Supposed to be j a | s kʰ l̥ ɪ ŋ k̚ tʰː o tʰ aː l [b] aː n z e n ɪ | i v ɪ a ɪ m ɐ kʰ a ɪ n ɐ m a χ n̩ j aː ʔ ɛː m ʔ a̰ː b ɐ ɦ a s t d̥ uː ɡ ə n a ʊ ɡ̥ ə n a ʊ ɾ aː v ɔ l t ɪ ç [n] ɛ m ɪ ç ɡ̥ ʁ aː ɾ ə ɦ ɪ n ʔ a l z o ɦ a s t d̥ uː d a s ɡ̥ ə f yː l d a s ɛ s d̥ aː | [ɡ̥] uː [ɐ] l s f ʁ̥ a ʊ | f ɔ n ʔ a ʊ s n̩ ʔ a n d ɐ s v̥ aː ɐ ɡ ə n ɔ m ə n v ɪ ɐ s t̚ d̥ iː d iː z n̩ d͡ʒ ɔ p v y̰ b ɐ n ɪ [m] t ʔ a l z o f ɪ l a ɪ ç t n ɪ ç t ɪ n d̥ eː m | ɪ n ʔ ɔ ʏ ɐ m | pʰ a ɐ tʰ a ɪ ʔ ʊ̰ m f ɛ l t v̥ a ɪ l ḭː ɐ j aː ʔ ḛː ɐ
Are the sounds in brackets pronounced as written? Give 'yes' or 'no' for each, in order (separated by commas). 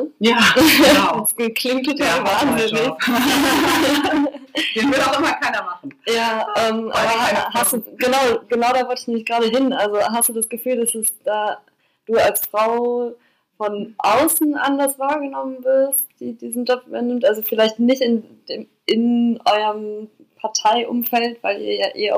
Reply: no, yes, no, no, yes